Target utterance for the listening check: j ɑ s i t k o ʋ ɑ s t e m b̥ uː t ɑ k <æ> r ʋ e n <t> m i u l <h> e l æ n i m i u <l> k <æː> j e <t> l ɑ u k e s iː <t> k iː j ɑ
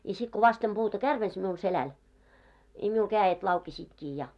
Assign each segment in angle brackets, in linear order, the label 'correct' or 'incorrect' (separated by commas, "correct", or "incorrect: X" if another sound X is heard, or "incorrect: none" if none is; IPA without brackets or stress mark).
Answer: correct, incorrect: s, incorrect: s, correct, correct, correct, correct